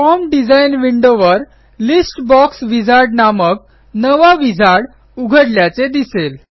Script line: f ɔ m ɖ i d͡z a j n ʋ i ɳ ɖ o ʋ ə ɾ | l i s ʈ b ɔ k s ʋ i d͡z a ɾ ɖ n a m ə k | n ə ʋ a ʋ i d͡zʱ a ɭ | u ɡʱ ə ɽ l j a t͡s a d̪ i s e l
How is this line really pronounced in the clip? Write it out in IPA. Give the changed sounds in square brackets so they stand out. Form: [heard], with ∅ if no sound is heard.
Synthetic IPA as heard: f ɔ m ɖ i d͡z a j n ʋ i ɳ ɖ o ʋ ə ɾ | l i s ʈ b ɔ k s ʋ i d͡z a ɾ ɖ n a m ə k | n ə ʋ a ʋ i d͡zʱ a [ɽ] | u ɡʱ ə ɽ l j a t͡s [e] d̪ i s e l